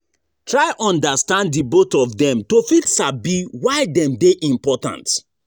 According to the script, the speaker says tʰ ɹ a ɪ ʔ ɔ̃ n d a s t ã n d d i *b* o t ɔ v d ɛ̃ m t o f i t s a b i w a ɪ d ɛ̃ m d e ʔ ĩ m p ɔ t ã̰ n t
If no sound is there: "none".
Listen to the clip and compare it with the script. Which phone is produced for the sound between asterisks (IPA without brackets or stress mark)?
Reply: b